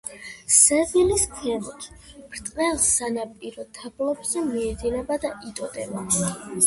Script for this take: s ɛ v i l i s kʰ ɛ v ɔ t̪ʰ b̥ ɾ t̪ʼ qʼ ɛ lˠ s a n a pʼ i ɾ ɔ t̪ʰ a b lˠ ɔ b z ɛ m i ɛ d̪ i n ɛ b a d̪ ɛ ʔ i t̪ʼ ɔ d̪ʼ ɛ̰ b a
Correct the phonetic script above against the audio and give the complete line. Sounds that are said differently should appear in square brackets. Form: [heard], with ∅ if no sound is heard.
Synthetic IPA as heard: s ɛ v i l i s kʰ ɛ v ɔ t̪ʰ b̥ ɾ t̪ʼ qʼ ɛ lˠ s a n a pʼ i ɾ ɔ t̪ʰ a b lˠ ɔ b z ɛ m i ɛ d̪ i n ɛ b a d̪ [a] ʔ i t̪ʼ ɔ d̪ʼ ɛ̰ b a